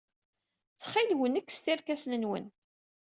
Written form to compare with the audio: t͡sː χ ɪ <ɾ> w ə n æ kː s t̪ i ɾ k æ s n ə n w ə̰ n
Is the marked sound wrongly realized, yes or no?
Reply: yes